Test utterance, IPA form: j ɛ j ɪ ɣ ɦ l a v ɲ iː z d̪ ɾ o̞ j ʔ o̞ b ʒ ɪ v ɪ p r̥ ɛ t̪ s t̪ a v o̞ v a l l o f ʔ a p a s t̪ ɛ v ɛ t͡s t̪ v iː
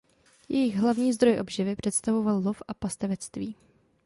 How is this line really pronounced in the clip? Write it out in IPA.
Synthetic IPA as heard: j ɛ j ɪ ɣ ɦ l a v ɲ iː z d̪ ɾ o̞ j ʔ o̞ b ʒ ɪ v ɪ p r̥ ɛ t̪ s t̪ a v o̞ v a l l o f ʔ a p a s t̪ ɛ v ɛ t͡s t̪ v iː